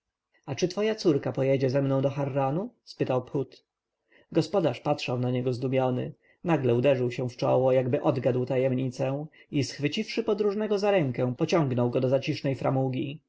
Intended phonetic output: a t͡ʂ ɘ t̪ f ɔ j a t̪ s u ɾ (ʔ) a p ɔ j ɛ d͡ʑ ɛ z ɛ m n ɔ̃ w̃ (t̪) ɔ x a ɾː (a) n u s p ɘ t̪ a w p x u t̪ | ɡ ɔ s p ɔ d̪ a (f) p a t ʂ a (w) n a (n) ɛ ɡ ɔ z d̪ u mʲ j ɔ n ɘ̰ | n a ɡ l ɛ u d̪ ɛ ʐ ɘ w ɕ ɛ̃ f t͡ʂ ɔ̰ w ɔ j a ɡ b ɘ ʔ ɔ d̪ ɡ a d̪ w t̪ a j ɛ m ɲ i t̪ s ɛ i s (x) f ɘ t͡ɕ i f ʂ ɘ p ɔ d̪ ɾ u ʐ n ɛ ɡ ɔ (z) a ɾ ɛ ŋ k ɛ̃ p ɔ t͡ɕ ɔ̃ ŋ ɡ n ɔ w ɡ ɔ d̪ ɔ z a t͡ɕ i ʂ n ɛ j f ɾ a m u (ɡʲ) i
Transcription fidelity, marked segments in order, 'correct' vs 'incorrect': incorrect, incorrect, correct, incorrect, correct, incorrect, correct, correct, correct

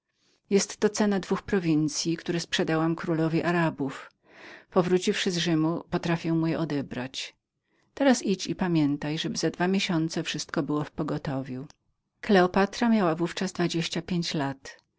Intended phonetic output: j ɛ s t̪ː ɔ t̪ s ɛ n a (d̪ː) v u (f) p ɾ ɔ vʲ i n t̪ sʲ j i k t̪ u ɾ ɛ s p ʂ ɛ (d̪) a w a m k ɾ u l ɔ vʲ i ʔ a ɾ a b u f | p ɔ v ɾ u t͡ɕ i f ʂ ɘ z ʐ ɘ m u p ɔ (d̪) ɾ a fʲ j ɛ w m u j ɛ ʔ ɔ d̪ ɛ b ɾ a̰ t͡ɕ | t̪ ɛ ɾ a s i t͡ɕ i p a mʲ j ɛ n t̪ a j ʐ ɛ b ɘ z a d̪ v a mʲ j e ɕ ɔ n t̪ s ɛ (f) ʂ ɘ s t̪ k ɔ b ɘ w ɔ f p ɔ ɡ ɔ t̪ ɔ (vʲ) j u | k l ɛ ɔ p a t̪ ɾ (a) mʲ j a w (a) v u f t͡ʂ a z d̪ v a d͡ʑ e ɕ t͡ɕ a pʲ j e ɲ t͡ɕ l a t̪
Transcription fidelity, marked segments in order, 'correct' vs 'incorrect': incorrect, incorrect, correct, incorrect, correct, correct, correct, correct

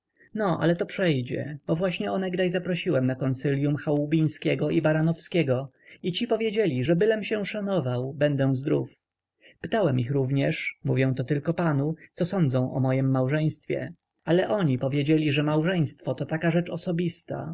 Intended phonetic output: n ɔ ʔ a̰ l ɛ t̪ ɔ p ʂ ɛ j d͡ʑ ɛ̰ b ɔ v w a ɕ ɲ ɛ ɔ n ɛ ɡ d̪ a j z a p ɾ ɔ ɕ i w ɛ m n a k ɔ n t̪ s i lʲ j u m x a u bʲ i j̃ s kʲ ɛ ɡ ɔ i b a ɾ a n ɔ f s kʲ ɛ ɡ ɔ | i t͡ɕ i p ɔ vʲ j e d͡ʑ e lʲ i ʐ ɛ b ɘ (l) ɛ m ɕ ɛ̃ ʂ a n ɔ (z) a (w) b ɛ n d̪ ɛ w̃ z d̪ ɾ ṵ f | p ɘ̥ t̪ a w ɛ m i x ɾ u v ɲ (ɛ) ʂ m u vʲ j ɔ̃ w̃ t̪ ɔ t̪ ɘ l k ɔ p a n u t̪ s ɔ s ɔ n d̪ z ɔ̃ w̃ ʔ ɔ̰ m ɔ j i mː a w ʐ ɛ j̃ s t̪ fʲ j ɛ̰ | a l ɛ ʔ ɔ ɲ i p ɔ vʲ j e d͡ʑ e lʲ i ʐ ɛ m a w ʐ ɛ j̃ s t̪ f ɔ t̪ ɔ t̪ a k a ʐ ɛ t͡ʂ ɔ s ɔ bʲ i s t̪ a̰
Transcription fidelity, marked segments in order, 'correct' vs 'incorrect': correct, incorrect, correct, correct

